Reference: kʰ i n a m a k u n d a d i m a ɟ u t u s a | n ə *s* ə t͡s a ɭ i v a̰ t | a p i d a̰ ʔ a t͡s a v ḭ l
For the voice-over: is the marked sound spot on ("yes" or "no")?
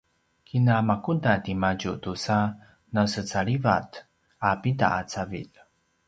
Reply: yes